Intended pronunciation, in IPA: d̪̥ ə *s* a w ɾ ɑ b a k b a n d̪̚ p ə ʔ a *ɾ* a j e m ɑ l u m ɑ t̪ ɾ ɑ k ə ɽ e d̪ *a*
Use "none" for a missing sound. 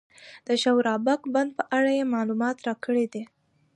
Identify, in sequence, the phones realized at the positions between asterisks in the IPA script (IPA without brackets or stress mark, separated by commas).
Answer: ʃ, ɽ, e